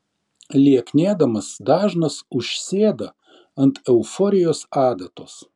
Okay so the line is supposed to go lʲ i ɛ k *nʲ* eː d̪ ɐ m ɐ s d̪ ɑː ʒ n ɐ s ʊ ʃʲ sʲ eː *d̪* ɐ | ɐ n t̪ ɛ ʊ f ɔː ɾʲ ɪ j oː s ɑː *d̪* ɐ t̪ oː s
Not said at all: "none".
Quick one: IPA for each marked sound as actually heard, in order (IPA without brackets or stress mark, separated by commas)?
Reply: nʲ, d̪, d̪